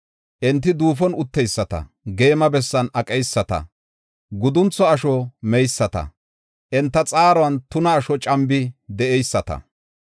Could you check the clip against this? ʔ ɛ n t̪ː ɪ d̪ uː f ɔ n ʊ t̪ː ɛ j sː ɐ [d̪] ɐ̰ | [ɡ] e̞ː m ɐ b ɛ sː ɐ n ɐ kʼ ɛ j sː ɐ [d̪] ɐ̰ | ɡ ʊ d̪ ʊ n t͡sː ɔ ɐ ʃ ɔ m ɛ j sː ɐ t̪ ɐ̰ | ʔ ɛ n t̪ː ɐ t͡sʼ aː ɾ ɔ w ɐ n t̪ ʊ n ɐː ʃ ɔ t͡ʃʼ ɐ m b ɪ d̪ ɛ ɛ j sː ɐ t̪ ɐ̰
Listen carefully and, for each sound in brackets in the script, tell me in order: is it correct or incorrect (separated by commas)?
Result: incorrect, correct, incorrect